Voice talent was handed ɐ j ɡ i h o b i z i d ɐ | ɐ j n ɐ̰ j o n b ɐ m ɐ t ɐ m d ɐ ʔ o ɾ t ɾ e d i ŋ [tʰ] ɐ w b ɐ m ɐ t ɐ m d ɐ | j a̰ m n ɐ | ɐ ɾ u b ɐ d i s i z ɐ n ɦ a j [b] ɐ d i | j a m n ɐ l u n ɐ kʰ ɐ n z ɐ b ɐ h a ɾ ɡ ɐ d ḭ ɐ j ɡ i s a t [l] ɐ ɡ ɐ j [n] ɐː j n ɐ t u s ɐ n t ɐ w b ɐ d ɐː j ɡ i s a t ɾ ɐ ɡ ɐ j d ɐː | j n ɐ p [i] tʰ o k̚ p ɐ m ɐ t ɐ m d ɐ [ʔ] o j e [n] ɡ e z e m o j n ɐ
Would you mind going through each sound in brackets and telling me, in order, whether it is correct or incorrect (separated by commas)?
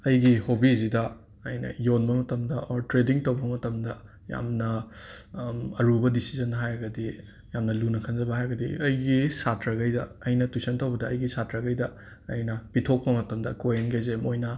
incorrect, incorrect, incorrect, incorrect, correct, incorrect, correct